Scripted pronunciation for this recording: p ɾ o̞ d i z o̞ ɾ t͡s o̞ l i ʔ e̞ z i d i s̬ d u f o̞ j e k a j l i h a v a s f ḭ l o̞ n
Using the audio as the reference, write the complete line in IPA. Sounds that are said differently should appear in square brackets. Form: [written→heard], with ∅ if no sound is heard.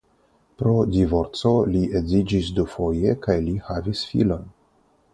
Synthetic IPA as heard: p ɾ o̞ d i [z→v] o̞ ɾ t͡s o̞ l i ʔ e̞ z i [d→d͡ʒ] i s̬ d u f o̞ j e k a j l i h a v [a→i] s f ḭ l o̞ n